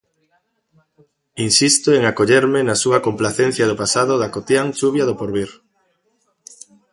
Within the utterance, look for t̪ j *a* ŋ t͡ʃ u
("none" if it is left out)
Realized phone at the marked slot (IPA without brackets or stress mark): a